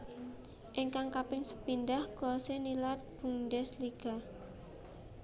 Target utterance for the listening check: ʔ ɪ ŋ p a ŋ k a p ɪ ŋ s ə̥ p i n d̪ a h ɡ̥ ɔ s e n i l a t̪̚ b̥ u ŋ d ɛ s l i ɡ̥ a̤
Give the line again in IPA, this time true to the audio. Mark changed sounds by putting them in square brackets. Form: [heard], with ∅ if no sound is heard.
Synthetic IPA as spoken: ʔ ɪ ŋ [k] a ŋ k a p ɪ ŋ s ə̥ p i n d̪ a h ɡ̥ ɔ s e n i l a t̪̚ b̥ u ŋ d ɛ s l i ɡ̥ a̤